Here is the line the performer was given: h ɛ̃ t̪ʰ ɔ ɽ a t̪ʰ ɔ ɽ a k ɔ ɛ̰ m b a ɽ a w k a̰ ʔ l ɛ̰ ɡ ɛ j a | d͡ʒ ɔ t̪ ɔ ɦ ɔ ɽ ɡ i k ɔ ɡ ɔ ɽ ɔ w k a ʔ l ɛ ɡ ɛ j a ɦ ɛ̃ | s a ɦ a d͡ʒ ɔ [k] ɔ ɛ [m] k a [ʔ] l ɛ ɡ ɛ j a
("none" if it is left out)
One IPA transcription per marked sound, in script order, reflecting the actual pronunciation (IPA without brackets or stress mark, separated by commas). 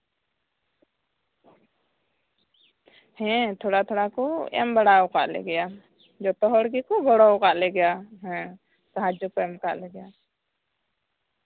k, m, ʔ